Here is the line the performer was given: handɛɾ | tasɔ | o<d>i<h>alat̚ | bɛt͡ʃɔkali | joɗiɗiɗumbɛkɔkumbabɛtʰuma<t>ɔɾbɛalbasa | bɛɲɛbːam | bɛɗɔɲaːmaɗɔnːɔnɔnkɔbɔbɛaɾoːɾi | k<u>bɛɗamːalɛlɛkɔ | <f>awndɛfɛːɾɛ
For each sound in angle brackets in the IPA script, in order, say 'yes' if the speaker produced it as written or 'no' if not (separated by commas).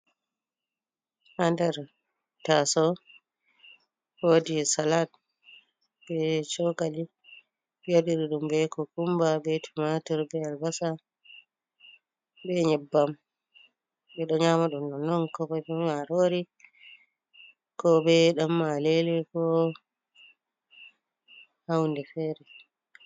yes, no, yes, no, no